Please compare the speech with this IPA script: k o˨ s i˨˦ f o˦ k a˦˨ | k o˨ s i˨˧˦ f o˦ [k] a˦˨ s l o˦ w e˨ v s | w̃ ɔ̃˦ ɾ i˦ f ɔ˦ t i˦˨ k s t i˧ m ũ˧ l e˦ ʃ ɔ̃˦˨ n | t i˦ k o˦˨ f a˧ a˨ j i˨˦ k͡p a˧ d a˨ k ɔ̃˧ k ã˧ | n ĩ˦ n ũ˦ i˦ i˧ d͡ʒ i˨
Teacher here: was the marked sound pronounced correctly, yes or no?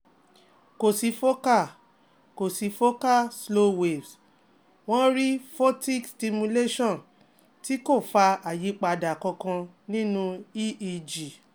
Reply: yes